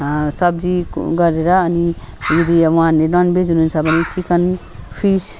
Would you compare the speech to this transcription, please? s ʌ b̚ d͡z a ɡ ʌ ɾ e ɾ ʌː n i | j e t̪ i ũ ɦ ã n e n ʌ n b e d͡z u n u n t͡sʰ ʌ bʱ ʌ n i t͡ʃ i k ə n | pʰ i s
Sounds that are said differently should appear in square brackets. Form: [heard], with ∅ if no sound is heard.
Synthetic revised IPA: s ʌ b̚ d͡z [i] ɡ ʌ ɾ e ɾ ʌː n i | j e [d̪] i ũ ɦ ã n e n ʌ n b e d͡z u n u n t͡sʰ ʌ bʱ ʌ n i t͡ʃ i k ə n | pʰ i s